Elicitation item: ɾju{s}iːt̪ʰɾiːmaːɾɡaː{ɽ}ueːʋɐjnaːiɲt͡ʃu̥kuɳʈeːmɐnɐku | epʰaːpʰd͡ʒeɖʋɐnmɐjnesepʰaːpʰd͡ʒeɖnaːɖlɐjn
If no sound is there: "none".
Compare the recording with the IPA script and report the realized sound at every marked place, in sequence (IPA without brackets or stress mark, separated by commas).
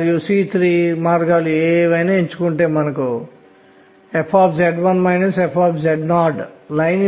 s, l